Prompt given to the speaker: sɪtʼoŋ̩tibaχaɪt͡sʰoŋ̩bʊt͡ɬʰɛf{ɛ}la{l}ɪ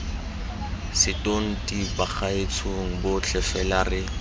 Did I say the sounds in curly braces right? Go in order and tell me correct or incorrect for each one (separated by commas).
correct, incorrect